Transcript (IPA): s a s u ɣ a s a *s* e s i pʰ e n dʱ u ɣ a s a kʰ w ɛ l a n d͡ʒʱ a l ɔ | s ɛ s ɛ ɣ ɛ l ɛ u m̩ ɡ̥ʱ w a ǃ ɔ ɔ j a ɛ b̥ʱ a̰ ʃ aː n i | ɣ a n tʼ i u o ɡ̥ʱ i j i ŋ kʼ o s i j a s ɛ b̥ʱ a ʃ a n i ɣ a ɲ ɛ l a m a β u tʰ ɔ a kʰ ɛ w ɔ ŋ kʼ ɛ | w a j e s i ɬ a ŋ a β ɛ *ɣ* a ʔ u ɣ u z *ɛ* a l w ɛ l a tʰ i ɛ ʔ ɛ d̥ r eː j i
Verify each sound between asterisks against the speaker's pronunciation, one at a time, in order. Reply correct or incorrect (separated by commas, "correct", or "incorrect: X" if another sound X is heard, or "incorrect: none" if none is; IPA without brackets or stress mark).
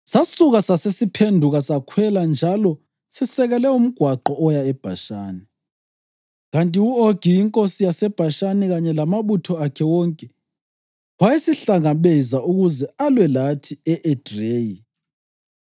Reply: correct, incorrect: z, correct